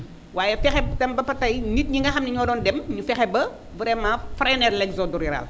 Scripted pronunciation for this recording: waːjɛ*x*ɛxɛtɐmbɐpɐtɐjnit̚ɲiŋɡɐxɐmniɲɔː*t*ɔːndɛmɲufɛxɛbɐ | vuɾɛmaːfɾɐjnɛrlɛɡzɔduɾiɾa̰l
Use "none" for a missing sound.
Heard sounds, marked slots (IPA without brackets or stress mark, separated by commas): f, d